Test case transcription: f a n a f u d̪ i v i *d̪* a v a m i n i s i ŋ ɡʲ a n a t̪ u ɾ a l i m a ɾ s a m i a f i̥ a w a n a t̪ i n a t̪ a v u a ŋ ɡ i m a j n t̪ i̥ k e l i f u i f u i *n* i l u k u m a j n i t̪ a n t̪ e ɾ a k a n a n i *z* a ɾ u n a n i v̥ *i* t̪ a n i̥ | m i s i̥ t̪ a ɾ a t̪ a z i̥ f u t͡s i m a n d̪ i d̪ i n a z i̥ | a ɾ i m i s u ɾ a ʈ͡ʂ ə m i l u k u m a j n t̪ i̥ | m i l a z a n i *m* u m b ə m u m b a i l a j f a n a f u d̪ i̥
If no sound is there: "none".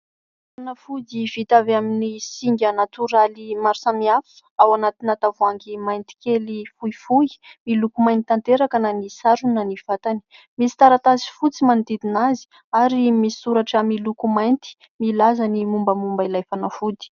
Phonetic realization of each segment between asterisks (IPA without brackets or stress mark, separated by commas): t̪, m, s, a, m